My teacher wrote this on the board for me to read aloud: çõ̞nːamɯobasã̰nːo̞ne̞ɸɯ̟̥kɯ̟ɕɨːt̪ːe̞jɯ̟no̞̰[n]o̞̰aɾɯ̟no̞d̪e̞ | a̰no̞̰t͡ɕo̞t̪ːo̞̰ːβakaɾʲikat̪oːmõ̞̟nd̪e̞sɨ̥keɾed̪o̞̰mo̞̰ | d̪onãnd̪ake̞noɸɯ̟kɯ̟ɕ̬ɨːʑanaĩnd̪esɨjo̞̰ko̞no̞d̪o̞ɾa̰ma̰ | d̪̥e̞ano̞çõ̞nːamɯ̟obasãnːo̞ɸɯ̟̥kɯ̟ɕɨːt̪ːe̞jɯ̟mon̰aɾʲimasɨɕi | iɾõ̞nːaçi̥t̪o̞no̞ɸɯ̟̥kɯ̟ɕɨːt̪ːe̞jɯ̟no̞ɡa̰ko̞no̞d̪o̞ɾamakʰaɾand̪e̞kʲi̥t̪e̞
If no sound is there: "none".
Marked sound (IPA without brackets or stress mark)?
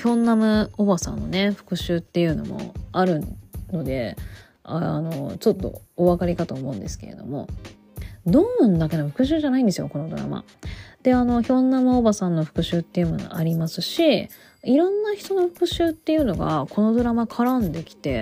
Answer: m